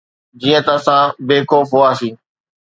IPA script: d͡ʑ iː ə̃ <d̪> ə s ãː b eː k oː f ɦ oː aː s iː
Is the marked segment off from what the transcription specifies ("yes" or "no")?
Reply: yes